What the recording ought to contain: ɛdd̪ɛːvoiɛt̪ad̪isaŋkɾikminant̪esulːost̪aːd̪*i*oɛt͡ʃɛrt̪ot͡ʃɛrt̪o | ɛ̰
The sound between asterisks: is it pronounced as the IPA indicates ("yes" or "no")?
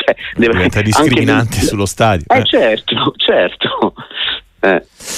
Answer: no